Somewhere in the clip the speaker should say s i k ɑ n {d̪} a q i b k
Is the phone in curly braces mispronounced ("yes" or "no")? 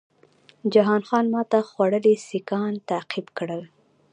yes